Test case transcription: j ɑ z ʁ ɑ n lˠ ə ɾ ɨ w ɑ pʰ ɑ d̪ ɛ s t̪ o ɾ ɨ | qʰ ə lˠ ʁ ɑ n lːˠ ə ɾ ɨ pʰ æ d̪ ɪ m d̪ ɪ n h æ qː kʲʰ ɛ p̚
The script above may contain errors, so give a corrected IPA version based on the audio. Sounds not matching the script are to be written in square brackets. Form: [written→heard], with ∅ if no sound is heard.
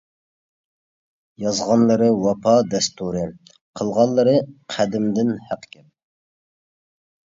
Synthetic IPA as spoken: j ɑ z ʁ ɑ n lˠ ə ɾ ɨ w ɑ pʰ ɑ d̪ ɛ s t̪ [o→u] ɾ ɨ | qʰ ə lˠ ʁ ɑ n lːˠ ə ɾ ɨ [pʰ→qʰ] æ d̪ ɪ m d̪ ɪ n h æ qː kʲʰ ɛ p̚